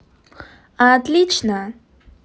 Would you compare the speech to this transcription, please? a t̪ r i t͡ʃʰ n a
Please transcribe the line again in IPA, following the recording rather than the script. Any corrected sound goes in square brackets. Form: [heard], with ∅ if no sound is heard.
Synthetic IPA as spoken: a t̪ [l] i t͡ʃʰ n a